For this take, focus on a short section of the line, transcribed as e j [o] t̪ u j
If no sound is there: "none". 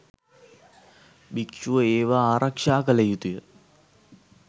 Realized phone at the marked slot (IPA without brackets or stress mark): u